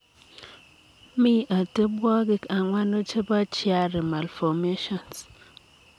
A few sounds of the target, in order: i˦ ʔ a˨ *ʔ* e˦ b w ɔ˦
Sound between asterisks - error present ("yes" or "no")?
yes